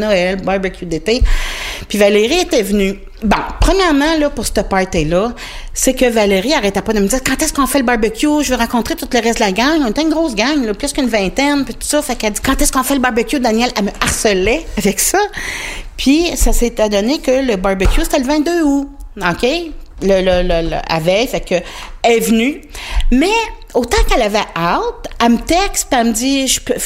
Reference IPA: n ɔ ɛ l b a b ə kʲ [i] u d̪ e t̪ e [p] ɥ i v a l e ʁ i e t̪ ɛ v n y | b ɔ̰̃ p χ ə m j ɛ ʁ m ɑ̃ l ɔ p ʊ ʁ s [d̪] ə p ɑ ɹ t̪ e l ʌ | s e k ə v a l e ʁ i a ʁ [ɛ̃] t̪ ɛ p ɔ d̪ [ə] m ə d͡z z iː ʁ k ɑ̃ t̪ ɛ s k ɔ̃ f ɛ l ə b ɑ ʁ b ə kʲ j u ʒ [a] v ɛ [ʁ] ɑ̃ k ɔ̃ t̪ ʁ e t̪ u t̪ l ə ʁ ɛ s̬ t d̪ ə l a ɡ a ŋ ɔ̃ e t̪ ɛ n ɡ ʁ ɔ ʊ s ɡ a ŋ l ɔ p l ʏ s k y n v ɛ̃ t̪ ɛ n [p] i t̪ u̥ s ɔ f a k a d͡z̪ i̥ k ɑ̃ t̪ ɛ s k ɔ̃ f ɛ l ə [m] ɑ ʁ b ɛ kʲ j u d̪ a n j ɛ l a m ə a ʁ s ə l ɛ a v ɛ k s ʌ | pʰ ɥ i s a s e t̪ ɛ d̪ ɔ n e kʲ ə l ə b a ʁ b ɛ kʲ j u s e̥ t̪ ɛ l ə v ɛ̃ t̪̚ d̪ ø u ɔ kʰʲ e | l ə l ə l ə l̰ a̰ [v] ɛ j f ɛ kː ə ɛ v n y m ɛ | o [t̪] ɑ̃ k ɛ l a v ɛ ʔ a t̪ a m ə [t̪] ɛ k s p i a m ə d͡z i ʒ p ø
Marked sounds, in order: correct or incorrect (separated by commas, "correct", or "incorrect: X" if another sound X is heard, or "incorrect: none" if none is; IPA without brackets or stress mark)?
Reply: incorrect: j, correct, incorrect: t̪, incorrect: ɛ, correct, incorrect: ə, correct, correct, incorrect: b, correct, correct, correct